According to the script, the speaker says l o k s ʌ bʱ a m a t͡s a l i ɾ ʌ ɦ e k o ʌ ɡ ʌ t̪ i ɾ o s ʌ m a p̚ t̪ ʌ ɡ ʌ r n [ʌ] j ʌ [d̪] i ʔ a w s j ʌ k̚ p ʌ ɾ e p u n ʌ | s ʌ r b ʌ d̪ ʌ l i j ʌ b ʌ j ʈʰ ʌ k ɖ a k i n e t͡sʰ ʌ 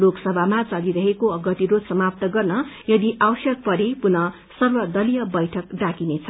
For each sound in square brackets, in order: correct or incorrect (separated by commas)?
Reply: correct, correct